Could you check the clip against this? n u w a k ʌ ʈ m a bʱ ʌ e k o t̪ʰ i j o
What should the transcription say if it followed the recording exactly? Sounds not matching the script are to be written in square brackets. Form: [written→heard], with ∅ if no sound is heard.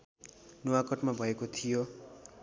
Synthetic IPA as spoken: n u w a k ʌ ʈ m a bʱ ʌ e k o t̪ʰ i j o